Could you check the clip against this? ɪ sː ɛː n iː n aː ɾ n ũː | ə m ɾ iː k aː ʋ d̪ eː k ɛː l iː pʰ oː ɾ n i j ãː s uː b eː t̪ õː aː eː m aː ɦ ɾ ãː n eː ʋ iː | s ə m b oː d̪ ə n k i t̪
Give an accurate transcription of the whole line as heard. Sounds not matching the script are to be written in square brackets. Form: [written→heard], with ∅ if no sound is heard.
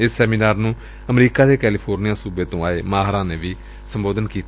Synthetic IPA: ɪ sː ɛː [n→m] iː n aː ɾ n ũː | ə m ɾ iː k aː [ʋ→∅] d̪ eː k ɛː l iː pʰ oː ɾ n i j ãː s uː b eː t̪ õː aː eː m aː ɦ ɾ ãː n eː ʋ iː | s ə m b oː d̪ ə n k [i→iː] t̪